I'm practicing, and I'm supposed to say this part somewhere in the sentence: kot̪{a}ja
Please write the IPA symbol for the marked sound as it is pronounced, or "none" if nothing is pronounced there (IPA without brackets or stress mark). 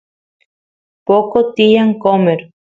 i